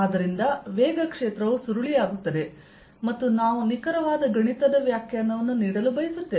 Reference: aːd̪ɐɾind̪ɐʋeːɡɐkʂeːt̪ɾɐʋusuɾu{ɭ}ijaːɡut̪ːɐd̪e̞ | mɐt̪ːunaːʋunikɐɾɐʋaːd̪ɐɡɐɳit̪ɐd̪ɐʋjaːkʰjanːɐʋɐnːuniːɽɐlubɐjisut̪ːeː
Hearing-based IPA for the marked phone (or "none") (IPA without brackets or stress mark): ɭ